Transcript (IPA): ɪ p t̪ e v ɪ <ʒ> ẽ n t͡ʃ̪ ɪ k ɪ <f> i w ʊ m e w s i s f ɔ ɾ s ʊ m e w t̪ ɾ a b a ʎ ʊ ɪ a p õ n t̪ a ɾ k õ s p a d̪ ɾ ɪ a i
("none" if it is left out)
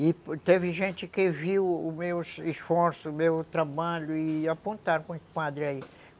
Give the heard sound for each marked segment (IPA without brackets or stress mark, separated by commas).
ʒ, v